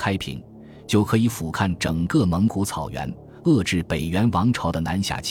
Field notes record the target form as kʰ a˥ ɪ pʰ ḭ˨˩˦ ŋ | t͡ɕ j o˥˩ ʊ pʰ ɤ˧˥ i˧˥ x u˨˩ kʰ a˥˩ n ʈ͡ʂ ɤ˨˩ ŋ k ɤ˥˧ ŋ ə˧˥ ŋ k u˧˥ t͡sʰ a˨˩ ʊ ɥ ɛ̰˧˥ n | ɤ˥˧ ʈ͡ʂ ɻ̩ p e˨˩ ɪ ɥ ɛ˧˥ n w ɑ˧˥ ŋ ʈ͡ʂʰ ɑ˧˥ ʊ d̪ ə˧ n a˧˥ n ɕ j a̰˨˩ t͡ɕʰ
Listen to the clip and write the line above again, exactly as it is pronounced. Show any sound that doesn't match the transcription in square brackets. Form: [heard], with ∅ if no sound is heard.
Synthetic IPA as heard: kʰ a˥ ɪ pʰ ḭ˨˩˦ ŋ | t͡ɕ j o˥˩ ʊ [kʰ] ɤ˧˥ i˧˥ [f] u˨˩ kʰ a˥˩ n ʈ͡ʂ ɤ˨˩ ŋ k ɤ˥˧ [m] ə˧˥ ŋ k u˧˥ t͡sʰ [ɑ˨˩] ʊ ɥ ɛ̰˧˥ n | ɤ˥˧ ʈ͡ʂ ɻ̩ p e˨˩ ɪ ɥ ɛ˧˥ n w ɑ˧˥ ŋ ʈ͡ʂʰ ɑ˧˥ ʊ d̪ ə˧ n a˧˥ n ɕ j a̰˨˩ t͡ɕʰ